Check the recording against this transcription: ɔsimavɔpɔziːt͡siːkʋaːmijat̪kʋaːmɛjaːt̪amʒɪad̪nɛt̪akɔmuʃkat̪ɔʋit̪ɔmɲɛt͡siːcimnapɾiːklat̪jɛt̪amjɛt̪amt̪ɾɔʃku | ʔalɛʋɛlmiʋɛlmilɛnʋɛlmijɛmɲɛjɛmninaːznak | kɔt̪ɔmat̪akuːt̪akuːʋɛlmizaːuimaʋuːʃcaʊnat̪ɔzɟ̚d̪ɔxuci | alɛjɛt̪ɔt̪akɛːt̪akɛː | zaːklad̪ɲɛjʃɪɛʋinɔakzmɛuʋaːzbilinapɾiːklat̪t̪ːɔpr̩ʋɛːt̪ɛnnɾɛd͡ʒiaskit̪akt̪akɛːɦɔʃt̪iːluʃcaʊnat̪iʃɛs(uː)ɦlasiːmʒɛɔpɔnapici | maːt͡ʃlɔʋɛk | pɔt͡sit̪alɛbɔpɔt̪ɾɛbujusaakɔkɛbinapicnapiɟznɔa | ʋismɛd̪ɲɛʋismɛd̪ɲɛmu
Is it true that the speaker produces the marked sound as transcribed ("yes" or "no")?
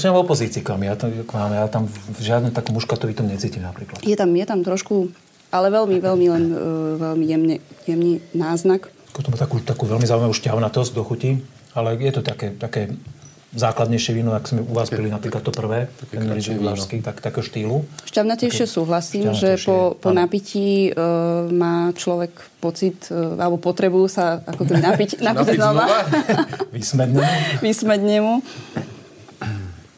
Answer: yes